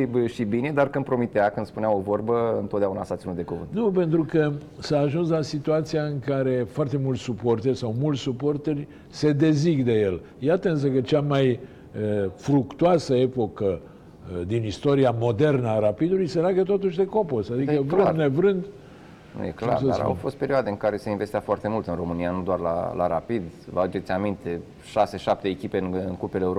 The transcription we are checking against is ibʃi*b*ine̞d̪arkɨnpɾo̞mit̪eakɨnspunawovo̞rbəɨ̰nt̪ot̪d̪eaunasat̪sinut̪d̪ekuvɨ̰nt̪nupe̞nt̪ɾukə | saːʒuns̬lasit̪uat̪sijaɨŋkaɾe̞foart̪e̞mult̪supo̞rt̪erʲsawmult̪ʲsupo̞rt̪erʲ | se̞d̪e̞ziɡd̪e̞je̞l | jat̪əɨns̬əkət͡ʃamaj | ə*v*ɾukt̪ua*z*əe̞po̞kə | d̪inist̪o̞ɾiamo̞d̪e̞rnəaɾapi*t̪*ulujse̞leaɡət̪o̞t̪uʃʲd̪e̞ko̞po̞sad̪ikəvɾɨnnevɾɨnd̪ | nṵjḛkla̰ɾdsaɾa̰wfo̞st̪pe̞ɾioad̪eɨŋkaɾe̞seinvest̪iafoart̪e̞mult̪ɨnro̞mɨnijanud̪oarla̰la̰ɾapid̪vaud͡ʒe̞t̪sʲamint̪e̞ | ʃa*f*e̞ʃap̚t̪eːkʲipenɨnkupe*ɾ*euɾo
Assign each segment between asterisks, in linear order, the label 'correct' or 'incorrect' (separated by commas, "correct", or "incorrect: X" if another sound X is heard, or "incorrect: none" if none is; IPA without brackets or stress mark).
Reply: correct, incorrect: f, incorrect: s, incorrect: d̪, incorrect: s, incorrect: l